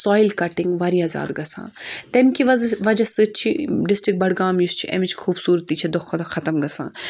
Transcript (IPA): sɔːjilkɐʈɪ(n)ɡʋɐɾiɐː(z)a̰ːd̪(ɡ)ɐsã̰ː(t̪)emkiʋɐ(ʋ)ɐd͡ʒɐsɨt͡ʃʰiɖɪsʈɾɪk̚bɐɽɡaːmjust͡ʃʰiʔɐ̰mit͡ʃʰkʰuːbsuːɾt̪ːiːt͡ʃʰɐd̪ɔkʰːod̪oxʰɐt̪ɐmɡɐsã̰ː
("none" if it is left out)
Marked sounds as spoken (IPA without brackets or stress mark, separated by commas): ŋ, z, ɡ, t̪, ʋ